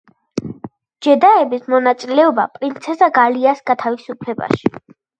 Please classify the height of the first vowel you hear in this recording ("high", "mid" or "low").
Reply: mid